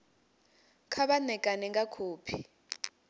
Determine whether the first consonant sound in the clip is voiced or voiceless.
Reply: voiceless